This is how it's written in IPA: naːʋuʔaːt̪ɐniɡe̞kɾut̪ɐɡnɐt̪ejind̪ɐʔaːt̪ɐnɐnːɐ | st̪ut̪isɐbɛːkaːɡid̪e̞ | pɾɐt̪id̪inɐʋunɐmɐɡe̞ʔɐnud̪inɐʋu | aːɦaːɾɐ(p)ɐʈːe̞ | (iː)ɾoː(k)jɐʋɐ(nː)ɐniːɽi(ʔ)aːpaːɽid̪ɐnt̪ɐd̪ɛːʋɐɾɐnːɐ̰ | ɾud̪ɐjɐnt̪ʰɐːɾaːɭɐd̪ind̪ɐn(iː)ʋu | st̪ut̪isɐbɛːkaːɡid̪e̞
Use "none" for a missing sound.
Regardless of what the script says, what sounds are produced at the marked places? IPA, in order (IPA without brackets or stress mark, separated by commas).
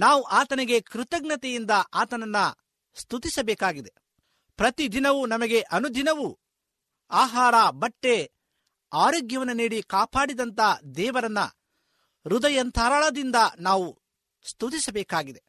b, aː, ɡ, nː, k, aː